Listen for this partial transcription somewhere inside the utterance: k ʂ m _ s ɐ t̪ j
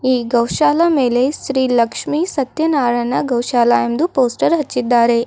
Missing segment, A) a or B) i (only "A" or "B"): B